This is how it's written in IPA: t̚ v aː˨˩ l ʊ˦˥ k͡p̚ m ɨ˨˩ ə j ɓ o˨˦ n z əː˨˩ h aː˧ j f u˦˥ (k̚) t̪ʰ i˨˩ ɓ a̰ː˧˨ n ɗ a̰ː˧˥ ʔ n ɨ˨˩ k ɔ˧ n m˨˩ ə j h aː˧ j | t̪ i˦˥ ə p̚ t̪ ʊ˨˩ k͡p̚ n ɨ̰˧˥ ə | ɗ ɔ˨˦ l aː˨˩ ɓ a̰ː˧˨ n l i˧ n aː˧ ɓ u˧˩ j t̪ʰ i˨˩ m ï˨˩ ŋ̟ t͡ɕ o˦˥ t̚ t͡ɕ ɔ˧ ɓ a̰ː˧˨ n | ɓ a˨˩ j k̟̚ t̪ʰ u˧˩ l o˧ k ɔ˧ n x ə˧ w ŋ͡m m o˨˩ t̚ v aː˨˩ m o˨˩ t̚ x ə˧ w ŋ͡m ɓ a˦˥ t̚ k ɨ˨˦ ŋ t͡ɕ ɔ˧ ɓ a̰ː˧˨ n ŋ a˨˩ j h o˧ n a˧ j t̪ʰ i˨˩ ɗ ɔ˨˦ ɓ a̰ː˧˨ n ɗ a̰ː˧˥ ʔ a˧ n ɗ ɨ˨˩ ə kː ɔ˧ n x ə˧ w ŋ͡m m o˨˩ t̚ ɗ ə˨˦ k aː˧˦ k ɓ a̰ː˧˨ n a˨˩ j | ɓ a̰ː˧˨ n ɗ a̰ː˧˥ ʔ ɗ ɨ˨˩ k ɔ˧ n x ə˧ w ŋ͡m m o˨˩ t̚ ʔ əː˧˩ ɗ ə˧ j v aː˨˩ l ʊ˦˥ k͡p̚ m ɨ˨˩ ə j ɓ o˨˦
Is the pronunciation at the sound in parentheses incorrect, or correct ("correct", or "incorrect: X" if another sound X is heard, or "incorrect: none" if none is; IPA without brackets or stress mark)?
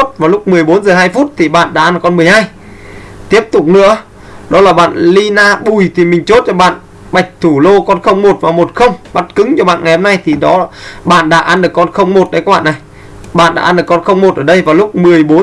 incorrect: t̚